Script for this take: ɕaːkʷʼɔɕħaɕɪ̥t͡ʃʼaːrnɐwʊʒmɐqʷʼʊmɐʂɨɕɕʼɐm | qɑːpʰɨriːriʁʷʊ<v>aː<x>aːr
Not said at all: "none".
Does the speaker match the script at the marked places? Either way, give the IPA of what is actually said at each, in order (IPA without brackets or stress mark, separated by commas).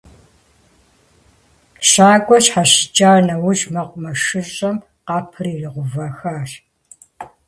v, x